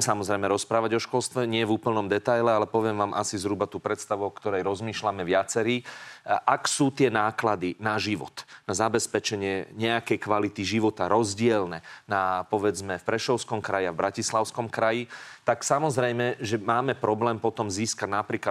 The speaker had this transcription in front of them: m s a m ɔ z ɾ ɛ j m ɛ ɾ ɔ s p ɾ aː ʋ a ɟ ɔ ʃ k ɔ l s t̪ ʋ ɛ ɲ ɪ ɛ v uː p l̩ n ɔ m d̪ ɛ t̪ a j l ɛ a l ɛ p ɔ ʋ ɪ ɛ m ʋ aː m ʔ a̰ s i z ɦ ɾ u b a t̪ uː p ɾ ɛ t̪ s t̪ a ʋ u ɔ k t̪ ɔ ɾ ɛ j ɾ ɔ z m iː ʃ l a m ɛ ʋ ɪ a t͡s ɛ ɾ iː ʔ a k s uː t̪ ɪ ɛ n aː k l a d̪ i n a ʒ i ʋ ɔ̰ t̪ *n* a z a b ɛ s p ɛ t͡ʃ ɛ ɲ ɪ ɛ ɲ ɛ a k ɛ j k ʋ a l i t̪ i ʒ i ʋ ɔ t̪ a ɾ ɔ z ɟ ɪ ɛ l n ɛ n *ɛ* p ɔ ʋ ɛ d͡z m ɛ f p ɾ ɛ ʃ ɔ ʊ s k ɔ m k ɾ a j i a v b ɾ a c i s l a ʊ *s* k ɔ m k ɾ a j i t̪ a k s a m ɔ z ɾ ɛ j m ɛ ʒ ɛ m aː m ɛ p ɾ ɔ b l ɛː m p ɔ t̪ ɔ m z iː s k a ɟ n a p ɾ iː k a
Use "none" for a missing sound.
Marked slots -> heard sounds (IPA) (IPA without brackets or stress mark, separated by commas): n, a, s